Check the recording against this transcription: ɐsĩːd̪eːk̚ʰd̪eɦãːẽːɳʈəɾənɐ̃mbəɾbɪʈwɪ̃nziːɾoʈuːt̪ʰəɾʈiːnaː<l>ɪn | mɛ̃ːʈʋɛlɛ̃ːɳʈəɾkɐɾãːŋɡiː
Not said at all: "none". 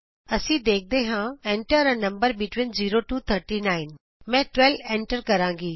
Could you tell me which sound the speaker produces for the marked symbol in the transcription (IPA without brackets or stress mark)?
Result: none